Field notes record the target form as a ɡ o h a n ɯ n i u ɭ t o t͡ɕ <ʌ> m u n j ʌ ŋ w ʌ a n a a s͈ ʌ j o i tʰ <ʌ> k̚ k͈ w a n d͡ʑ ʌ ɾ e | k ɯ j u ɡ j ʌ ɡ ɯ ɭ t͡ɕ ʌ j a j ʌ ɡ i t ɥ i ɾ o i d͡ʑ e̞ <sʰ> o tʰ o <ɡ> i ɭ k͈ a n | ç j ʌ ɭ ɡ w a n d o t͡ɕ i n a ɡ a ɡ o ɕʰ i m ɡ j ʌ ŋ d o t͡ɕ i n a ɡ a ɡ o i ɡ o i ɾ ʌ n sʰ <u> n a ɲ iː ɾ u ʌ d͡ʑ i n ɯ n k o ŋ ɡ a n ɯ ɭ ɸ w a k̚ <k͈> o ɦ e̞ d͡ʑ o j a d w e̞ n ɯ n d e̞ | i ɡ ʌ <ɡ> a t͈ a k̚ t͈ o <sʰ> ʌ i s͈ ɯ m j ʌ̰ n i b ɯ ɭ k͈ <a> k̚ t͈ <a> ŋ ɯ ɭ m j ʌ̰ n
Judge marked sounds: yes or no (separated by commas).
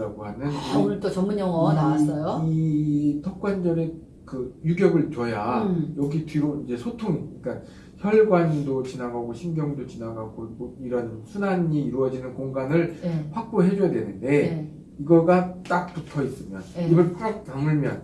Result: yes, yes, yes, no, yes, no, yes, no, yes, yes